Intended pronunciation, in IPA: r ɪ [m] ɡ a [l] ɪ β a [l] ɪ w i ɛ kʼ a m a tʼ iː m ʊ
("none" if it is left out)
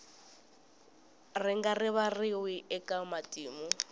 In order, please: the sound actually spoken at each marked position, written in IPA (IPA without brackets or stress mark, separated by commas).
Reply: ŋ, r, r